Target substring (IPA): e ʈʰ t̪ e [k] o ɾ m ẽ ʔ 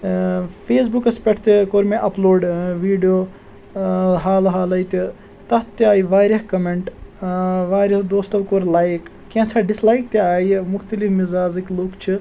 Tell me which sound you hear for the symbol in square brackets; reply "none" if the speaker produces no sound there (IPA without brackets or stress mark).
k